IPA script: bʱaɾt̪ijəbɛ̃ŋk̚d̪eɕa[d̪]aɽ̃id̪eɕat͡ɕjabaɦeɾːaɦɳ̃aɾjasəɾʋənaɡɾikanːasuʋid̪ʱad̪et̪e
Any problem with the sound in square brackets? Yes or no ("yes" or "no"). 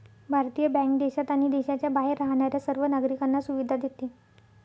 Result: yes